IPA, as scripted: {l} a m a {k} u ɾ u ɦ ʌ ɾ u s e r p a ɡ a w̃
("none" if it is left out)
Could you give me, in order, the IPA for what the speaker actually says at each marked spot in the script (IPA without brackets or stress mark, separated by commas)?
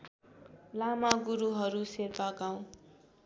l, ɡ